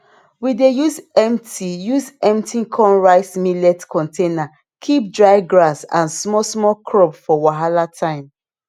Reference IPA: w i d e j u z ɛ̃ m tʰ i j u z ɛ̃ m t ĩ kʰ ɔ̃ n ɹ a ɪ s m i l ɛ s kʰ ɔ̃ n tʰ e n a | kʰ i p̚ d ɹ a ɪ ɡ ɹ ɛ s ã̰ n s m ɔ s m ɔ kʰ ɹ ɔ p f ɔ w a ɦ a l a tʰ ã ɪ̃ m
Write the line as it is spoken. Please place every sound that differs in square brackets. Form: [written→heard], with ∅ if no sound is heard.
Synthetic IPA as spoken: w i d e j u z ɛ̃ m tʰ i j u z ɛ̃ m t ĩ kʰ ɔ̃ n ɹ a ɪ s m i l ɛ [s→t] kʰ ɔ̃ n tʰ e n a | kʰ i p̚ d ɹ a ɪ ɡ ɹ [ɛ→a] s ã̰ n s m ɔ s m ɔ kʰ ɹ ɔ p f ɔ w a ɦ a l a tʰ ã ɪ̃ m